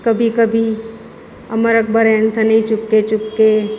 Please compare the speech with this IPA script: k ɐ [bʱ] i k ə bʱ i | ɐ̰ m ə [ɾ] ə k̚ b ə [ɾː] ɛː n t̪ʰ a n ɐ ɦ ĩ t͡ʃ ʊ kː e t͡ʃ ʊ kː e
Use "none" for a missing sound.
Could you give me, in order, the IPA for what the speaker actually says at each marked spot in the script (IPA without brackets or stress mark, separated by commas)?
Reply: bʱ, ɾ, ɾ